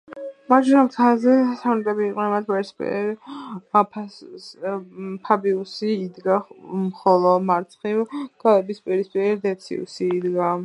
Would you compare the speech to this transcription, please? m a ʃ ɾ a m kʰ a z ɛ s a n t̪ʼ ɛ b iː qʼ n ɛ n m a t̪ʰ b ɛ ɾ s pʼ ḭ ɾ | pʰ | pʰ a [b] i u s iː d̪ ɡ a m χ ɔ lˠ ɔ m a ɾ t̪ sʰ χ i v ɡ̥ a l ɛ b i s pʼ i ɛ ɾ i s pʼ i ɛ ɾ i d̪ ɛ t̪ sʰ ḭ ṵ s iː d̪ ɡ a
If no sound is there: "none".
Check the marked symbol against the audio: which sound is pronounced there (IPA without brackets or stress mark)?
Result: b